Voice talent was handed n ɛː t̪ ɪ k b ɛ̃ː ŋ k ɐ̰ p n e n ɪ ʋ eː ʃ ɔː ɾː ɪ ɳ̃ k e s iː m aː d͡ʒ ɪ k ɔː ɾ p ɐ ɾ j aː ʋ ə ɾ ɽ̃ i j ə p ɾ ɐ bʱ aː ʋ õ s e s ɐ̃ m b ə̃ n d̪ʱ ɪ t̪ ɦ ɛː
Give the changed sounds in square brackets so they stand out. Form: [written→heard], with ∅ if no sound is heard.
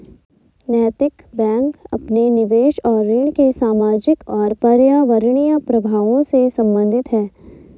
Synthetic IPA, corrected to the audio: n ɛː t̪ ɪ k b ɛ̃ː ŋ k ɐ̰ p n e n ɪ ʋ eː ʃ ɔː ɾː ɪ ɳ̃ k e s [iː→aː] m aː d͡ʒ ɪ k ɔː ɾ p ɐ ɾ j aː ʋ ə ɾ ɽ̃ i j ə p ɾ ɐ bʱ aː ʋ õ s e s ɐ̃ m b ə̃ n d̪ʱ ɪ t̪ ɦ ɛː